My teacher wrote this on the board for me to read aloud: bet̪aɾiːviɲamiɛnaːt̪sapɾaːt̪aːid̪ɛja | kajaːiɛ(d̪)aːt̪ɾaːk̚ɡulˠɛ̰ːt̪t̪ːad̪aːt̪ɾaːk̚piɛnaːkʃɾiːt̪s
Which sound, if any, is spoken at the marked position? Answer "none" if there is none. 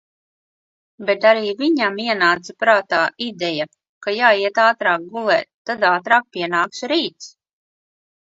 t̪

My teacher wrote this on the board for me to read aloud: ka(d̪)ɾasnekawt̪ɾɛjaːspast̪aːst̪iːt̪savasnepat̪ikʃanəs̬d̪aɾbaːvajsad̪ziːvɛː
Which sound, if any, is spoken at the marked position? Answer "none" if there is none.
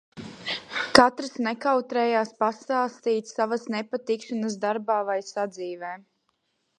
t̪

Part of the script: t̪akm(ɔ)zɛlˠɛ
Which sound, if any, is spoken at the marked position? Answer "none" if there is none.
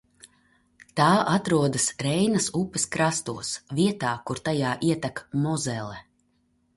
ɔ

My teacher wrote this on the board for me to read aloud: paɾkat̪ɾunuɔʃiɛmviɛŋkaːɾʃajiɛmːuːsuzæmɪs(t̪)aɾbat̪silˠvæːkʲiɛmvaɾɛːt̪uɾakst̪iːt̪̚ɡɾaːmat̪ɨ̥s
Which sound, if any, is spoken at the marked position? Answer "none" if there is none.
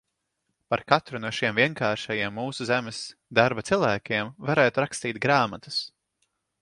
d̪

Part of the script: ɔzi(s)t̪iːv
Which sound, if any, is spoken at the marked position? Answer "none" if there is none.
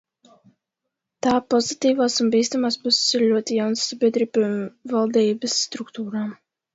none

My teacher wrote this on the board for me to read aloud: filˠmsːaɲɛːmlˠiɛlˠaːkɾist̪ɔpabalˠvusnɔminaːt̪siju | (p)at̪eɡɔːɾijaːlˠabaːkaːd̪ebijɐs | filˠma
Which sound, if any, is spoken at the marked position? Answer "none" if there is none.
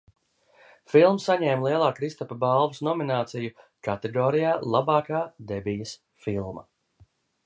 k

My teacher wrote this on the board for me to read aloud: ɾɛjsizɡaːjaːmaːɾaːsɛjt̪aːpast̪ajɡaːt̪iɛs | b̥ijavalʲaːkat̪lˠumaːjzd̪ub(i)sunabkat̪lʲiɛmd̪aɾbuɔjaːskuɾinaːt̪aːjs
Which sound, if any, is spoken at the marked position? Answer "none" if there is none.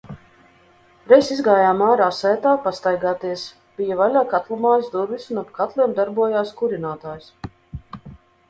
i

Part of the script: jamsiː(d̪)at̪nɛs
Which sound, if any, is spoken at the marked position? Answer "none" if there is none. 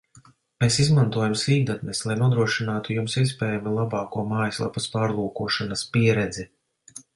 d̪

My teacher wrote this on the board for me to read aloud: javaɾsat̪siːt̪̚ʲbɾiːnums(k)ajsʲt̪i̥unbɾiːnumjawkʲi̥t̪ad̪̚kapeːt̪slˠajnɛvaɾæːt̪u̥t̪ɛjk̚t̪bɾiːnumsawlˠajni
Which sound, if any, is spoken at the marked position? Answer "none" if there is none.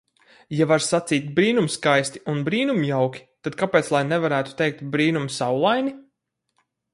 k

